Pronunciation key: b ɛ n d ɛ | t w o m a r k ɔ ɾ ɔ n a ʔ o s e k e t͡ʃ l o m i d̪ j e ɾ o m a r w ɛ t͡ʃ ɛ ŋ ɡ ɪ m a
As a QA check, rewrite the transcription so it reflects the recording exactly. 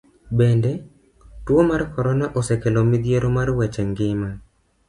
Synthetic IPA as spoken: b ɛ n d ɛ | t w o m a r k ɔ ɾ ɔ n a ʔ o s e k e l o m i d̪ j e ɾ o m a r w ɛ t͡ʃ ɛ ŋ ɡ ɪ m a